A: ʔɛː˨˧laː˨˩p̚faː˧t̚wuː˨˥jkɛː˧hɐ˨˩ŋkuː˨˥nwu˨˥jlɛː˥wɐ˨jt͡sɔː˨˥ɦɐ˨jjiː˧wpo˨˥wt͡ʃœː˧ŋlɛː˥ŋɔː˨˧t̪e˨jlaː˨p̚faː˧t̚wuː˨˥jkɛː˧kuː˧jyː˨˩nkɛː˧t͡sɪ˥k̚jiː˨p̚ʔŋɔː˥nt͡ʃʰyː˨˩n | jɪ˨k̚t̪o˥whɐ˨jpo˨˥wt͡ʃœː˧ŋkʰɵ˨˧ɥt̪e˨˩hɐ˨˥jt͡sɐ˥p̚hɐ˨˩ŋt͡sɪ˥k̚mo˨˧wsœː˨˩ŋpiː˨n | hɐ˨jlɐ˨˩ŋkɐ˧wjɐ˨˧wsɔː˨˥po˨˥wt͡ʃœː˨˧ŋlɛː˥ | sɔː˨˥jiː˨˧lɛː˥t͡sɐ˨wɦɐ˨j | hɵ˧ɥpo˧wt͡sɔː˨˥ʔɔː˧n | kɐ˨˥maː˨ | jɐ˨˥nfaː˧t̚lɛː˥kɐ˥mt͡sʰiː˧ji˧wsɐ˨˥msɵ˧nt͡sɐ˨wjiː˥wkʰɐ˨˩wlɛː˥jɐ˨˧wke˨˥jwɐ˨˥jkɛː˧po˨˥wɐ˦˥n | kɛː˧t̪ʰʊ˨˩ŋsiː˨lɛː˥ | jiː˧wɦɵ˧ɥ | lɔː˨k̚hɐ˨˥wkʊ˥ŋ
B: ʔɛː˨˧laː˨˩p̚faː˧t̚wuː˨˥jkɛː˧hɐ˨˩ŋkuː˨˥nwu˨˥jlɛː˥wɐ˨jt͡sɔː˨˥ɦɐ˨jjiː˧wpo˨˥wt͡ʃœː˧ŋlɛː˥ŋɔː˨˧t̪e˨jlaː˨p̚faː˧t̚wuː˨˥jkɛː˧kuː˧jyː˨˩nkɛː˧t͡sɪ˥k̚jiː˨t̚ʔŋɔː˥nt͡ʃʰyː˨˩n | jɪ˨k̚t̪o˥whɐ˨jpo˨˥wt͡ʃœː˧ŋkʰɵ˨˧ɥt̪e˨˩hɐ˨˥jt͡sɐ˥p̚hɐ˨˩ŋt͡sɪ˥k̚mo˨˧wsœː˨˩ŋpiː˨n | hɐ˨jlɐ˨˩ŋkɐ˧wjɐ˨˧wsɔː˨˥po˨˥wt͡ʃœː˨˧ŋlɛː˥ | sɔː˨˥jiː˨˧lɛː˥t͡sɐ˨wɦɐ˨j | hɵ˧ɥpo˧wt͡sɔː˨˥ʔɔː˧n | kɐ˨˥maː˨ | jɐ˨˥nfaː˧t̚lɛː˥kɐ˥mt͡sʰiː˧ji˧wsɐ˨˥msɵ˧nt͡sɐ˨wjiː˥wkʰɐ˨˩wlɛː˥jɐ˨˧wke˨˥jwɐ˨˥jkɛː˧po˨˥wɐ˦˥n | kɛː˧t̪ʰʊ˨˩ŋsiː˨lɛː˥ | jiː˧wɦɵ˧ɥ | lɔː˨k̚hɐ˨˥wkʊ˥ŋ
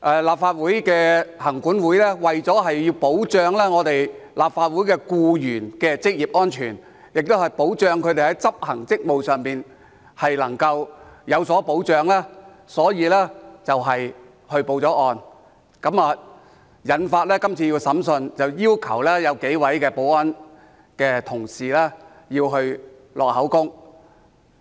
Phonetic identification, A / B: A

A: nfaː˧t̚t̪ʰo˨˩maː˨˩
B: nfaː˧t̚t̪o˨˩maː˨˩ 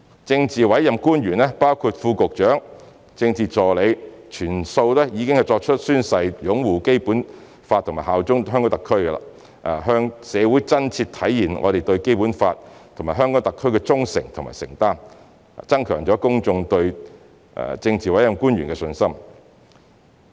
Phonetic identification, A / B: A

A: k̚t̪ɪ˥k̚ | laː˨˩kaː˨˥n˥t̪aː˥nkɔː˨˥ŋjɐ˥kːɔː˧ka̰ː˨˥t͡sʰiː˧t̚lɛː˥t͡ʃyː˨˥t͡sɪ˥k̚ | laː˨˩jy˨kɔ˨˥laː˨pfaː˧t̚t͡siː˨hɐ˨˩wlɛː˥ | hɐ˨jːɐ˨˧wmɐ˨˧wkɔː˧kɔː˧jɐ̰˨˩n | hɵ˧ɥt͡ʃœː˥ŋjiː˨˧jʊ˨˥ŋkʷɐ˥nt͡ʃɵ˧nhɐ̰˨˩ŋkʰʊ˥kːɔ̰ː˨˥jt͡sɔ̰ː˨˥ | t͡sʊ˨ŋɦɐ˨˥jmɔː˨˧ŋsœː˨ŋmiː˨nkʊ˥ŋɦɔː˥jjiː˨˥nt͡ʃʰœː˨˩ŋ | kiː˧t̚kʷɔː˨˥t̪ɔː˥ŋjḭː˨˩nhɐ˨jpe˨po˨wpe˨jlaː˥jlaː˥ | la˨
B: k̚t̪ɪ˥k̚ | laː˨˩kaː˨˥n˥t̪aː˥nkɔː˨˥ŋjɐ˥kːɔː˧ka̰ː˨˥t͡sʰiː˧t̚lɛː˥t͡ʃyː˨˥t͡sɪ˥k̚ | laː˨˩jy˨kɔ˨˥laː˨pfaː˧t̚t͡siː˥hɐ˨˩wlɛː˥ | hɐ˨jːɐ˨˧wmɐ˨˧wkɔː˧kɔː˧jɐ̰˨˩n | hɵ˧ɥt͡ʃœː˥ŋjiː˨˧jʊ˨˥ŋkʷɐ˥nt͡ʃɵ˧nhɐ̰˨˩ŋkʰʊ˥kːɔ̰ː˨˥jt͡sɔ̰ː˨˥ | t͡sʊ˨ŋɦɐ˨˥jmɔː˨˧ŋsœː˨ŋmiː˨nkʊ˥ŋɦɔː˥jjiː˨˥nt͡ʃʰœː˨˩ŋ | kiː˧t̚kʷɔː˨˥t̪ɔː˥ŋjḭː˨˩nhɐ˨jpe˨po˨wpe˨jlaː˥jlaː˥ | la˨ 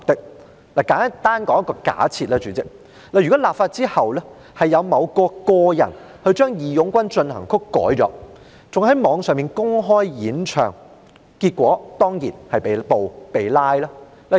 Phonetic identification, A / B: B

